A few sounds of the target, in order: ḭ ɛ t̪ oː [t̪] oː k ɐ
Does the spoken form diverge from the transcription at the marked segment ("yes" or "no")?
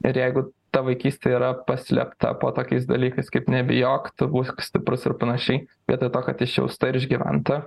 no